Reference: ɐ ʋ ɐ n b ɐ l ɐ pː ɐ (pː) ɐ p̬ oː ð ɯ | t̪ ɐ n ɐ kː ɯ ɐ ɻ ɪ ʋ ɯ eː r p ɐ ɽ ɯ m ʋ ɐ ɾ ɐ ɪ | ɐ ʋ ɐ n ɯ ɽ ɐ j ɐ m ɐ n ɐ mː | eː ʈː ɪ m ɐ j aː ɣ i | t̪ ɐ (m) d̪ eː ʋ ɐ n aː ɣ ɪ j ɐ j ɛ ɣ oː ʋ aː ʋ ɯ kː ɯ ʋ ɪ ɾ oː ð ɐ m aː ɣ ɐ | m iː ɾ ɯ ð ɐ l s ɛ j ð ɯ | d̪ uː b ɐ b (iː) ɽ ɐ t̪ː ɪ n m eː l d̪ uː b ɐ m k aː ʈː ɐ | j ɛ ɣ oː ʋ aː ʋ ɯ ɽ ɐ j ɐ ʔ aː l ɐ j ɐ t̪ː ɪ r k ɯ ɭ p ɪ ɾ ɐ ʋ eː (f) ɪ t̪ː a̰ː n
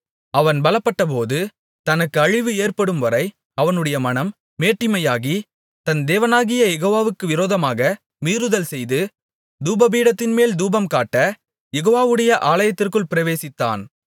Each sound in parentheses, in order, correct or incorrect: incorrect: ʈː, incorrect: n, correct, incorrect: s

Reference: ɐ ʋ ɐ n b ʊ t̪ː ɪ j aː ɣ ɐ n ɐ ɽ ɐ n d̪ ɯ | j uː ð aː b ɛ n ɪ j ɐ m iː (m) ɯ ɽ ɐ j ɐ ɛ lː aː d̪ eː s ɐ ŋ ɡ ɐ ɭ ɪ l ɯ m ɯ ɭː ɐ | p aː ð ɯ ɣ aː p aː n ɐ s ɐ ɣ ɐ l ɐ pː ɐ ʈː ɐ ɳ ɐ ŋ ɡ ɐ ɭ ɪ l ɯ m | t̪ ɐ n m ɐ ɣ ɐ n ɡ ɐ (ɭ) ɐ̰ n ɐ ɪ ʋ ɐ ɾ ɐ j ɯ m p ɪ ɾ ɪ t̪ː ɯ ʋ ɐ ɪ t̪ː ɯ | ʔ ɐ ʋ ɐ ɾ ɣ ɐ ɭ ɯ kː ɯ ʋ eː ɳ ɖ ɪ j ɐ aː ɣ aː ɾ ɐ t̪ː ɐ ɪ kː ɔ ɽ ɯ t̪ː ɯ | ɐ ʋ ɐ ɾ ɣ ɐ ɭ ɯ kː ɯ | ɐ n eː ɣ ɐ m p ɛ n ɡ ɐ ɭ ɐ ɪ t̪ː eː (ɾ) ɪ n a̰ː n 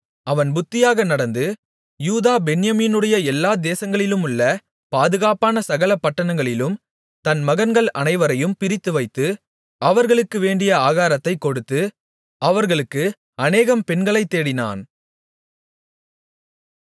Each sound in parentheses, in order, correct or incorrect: incorrect: n, correct, incorrect: ɽ

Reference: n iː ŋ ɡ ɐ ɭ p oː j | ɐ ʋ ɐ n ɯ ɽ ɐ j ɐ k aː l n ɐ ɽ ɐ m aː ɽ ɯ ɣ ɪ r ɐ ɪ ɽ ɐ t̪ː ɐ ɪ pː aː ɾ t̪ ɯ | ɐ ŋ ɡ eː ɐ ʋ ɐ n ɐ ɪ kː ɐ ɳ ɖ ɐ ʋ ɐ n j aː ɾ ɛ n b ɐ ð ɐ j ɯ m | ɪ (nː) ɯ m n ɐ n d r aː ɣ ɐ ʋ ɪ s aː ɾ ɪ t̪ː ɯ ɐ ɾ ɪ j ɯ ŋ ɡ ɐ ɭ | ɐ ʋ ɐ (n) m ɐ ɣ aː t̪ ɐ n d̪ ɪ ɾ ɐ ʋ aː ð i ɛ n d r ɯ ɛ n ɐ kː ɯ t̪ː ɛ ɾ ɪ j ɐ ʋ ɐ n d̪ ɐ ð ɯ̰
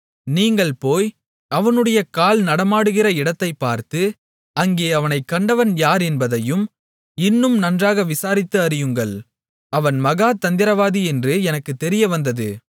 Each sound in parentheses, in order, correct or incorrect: correct, correct

